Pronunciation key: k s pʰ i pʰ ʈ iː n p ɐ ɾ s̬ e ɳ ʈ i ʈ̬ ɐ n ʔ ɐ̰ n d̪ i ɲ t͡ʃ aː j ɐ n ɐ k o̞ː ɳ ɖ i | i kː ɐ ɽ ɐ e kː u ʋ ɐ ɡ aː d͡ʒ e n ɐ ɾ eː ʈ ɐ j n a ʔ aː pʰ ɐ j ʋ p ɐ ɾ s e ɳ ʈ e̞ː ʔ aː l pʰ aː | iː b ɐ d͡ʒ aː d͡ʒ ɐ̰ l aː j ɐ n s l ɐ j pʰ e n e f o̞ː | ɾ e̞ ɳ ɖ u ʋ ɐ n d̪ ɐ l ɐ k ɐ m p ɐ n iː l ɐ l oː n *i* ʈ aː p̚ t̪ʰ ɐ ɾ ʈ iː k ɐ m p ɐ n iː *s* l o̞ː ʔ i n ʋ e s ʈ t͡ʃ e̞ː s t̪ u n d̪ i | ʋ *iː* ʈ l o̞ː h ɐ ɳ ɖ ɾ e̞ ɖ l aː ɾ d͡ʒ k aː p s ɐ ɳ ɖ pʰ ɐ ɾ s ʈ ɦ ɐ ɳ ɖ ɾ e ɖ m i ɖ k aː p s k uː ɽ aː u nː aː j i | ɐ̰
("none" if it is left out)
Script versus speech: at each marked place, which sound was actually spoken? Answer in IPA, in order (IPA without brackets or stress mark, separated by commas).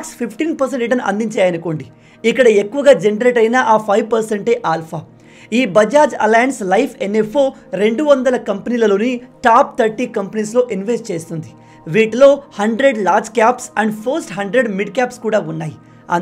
i, s, iː